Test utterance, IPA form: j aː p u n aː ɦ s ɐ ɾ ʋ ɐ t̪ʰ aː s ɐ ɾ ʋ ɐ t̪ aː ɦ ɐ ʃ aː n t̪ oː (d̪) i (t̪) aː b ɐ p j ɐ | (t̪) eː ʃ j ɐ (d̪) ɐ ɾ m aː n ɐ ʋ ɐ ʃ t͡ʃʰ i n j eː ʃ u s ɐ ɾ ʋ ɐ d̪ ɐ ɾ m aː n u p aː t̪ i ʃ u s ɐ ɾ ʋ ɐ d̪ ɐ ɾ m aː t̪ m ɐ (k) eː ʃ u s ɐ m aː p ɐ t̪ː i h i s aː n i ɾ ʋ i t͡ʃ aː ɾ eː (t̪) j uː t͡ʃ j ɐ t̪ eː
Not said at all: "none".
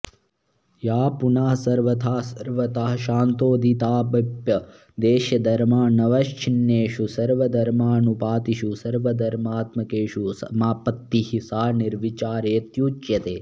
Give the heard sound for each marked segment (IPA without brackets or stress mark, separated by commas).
d̪, t̪, d̪, d̪, k, t̪